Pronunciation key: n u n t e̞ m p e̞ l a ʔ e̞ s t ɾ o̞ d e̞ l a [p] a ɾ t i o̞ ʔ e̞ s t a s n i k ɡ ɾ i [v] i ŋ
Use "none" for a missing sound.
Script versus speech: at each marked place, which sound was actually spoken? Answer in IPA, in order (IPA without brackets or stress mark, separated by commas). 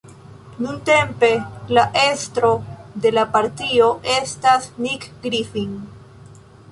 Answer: p, f